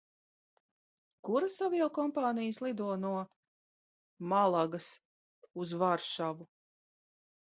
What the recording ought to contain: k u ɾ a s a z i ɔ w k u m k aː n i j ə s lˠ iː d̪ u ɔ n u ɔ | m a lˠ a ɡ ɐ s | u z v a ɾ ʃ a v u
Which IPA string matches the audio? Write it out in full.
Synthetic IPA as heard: k u ɾ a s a v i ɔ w k ɔ m p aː n i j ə s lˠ i d̪ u ɔ n u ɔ | m a lˠ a ɡ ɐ s | u z v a ɾ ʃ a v u